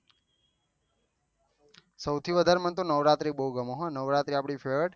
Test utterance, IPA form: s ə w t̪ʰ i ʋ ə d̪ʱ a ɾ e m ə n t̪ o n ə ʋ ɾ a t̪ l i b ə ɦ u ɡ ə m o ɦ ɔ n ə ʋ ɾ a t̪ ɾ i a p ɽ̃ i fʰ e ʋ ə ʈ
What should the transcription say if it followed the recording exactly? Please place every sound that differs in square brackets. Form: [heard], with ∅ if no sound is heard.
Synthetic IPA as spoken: s ə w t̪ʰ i ʋ ə d̪ʱ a ɾ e m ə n t̪ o n ə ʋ ɾ a t̪ [ɾ] i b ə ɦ u ɡ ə m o ɦ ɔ n ə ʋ ɾ a t̪ ɾ i a p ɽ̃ i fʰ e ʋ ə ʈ